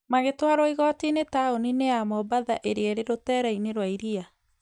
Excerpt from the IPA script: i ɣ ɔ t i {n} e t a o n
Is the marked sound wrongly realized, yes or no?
no